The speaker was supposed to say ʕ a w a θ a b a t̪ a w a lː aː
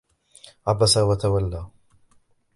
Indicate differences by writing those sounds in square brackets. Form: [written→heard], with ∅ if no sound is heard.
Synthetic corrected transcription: ʕ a [w→b] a [θ→s] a [b→w] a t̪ a w a lː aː

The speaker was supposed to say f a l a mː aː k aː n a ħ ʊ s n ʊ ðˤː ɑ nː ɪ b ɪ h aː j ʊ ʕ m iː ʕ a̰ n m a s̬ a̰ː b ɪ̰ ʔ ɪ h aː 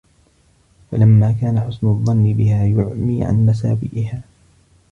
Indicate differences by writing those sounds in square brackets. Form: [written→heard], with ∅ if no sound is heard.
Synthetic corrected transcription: f a l a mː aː k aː n a ħ ʊ s n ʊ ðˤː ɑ nː ɪ b ɪ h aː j ʊ ʕ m iː ʕ a̰ n m a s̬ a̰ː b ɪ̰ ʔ ɪ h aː

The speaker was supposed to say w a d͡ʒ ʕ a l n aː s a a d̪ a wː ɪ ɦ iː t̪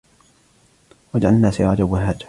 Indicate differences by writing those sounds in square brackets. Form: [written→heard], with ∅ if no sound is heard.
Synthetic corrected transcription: w a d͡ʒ ʕ a l n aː s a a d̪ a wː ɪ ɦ [iː→aː] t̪

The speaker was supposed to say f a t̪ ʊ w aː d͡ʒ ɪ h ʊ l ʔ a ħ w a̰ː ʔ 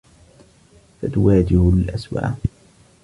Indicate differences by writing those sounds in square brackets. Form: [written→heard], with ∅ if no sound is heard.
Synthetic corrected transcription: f a t̪ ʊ w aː d͡ʒ ɪ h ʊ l ʔ a [ħ→s] w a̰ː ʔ

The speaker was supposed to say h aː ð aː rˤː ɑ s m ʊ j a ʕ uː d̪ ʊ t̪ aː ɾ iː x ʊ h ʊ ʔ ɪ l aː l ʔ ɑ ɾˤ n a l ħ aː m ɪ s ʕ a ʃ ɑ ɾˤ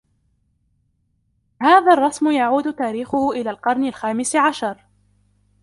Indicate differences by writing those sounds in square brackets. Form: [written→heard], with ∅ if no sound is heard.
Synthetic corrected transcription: h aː ð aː rˤː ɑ s m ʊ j a ʕ uː d̪ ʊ t̪ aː ɾ iː x ʊ h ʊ ʔ ɪ l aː l [ʔ→q] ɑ ɾˤ n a l [ħ→x] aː m ɪ s ʕ a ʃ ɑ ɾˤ

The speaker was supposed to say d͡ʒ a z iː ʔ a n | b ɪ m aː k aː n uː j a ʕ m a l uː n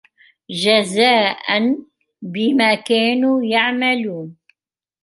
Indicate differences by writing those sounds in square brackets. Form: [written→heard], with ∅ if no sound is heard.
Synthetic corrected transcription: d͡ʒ a z [iː→aː] ʔ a n | b ɪ m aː k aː n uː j a ʕ m a l uː n

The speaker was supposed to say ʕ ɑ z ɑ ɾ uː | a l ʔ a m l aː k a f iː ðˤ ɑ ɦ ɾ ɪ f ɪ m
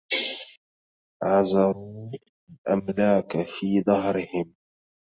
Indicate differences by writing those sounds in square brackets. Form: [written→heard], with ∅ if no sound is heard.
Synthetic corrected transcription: ʕ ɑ z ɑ ɾ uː | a l ʔ a m l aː k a f iː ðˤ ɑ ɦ ɾ ɪ [f→h] ɪ m

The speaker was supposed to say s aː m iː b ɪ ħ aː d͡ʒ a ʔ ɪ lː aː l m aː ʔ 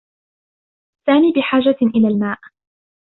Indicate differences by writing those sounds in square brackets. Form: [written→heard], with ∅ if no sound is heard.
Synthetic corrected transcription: s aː m iː b ɪ ħ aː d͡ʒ a ʔ ɪ [lː→l] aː l m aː ʔ

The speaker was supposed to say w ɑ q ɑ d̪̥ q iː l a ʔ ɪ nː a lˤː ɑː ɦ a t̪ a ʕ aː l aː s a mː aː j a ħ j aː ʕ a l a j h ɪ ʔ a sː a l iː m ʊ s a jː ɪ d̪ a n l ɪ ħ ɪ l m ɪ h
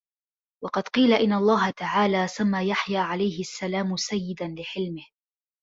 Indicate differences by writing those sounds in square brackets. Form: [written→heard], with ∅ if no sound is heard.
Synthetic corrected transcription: w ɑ q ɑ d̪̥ q iː l a ʔ ɪ nː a lˤː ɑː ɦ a t̪ a ʕ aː l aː s a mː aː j a ħ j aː ʕ a l a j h ɪ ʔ a sː a l [iː→aː] m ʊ s a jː ɪ d̪ a n l ɪ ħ ɪ l m ɪ h

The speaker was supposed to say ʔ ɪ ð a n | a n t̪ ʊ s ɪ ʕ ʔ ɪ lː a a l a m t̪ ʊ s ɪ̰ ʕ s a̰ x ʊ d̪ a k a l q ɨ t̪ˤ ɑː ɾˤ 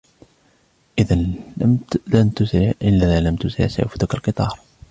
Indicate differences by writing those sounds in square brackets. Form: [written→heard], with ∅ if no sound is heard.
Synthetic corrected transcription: ʔ ɪ ð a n | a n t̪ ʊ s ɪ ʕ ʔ ɪ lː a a l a m t̪ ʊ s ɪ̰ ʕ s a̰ [x→f] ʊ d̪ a k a l q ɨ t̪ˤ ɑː ɾˤ

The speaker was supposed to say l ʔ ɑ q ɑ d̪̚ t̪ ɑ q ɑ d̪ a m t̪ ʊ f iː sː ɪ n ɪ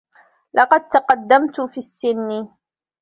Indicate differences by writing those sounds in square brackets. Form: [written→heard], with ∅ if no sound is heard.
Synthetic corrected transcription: l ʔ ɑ q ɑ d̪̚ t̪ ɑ q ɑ [d̪→d̪ː] a m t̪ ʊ f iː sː ɪ [n→nː] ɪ

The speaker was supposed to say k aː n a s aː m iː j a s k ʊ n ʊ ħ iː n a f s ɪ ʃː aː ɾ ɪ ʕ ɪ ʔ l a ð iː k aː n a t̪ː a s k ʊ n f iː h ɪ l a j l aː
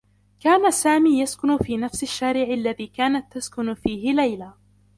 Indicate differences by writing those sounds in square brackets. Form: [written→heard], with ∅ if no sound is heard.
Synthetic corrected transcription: k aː n a s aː m iː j a s k ʊ n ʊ [ħ→f] iː n a f s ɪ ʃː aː ɾ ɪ ʕ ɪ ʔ [l→lː] a ð iː k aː n a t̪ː a s k ʊ n f iː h ɪ l a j l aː

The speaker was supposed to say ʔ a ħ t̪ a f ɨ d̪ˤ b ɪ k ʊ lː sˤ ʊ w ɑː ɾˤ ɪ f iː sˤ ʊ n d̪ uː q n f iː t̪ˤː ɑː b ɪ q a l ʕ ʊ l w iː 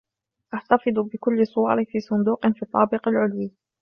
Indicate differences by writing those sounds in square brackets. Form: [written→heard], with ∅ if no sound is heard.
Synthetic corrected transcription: ʔ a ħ t̪ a f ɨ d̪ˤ b ɪ k ʊ lː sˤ ʊ w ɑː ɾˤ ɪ f iː sˤ ʊ n d̪ uː q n f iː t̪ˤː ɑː b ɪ q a l ʕ ʊ l w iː

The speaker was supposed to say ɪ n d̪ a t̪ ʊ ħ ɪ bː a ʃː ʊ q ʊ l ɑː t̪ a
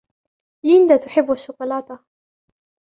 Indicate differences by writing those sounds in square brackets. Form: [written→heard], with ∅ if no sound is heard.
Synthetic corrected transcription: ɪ n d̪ a t̪ ʊ ħ ɪ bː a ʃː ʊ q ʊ l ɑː t̪ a

